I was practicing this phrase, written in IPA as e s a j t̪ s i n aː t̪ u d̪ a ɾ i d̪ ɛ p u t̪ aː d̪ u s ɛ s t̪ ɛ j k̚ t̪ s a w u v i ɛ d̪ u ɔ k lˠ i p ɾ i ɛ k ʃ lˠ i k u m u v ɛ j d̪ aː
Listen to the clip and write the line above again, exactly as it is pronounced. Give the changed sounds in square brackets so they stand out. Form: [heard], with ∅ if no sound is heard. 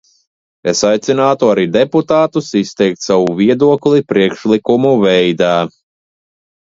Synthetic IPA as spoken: e s a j t̪ s i n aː t̪ u [∅] a ɾ i d̪ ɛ p u t̪ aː [t̪] u s [i] s t̪ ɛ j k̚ t̪ s a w u v i ɛ d̪ u ɔ k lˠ i p ɾ i ɛ k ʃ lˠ i k u m u v ɛ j d̪ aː